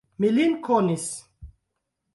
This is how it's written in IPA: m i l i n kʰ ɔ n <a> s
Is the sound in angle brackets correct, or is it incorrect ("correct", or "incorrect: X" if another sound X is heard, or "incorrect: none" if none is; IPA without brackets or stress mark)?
incorrect: i